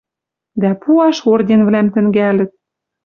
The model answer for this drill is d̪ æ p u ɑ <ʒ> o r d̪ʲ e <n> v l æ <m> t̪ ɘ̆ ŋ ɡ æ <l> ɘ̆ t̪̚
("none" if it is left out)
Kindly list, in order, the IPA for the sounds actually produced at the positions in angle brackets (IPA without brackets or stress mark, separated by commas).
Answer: ʃ, n, m, l